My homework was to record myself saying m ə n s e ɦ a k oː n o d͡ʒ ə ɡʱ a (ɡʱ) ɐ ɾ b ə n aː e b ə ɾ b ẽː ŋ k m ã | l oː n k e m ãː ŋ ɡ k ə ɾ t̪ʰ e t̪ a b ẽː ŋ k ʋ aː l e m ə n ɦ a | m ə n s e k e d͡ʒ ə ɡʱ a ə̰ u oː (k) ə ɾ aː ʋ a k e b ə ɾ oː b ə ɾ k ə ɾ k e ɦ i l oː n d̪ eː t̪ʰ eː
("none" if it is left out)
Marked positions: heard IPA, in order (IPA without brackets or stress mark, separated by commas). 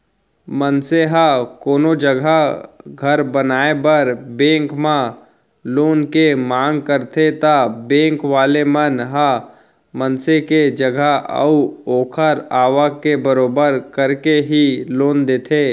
ɡʱ, kʰ